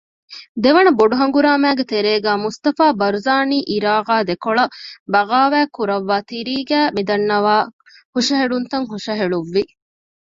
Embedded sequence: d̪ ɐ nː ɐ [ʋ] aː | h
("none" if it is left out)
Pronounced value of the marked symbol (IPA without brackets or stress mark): ʋ